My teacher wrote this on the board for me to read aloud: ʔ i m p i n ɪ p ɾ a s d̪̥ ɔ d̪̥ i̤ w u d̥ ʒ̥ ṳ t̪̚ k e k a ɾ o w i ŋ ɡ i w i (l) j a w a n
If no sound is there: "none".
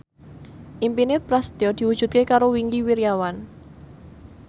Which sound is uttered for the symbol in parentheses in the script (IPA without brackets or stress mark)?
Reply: ɾ